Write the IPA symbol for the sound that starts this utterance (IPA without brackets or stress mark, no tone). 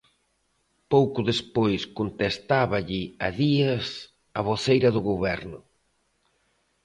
p